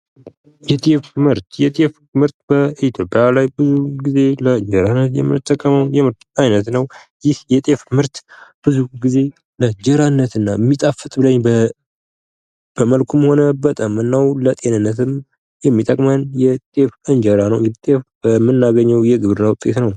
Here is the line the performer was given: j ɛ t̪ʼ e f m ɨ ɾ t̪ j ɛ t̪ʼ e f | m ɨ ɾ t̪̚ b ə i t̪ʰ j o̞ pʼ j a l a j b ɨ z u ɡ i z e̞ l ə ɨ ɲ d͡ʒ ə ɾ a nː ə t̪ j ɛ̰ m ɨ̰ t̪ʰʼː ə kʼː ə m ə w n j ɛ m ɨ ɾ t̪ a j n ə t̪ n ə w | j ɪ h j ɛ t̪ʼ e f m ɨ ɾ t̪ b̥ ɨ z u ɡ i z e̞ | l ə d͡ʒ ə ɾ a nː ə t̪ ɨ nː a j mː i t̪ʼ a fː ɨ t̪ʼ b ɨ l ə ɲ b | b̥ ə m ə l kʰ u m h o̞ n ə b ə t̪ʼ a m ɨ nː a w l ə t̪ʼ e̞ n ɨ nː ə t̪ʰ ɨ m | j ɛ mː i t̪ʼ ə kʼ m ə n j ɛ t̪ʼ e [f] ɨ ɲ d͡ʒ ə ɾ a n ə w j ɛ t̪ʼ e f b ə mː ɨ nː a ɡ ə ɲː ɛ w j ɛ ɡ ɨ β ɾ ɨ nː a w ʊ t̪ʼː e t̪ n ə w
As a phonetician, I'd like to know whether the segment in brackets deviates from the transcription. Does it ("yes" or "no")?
no